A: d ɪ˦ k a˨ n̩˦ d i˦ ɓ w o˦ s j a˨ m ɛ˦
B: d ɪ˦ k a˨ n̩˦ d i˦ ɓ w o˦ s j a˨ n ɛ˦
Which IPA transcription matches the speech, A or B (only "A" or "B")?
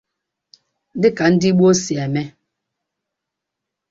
A